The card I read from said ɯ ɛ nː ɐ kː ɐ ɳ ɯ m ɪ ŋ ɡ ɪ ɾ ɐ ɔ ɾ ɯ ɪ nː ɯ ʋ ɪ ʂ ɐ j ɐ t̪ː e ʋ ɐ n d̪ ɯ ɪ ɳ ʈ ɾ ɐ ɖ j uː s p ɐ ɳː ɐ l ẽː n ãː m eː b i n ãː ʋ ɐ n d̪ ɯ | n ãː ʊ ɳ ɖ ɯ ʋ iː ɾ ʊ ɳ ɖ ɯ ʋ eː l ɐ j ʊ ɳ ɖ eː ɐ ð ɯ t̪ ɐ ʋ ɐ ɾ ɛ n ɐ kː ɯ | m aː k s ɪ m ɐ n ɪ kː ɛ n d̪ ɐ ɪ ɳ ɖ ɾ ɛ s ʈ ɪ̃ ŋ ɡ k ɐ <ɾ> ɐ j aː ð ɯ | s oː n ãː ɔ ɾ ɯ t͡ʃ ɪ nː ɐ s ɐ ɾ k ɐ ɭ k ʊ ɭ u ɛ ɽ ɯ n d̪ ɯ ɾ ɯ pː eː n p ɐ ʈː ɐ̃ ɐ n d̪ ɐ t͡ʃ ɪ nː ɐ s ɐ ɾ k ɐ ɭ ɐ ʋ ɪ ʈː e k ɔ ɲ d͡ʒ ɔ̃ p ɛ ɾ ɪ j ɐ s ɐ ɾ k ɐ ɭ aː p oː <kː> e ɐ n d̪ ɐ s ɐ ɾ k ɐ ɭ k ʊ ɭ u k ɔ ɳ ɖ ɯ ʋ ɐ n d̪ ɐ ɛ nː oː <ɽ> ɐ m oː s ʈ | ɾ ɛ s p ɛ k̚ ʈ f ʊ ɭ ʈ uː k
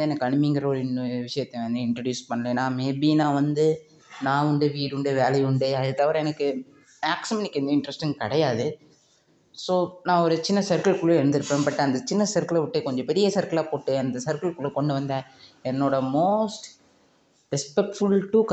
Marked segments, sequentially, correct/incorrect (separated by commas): incorrect, incorrect, correct